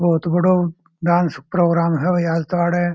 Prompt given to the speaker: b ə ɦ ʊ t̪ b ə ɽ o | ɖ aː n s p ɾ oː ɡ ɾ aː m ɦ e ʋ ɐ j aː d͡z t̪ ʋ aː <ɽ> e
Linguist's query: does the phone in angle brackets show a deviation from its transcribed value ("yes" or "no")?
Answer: no